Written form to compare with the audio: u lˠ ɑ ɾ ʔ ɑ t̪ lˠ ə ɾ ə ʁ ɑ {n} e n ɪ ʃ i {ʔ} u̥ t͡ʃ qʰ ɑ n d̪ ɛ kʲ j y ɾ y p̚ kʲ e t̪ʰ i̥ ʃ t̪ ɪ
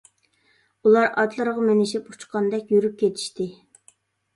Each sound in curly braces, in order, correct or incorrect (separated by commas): incorrect, incorrect